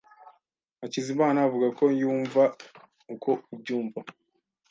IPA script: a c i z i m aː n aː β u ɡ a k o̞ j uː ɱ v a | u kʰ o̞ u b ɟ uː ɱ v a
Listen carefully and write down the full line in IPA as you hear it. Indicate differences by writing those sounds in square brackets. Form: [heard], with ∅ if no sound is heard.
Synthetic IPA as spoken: a c i z i m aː n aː [v] u ɡ a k o̞ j uː ɱ v a | u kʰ o̞ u b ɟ uː ɱ v a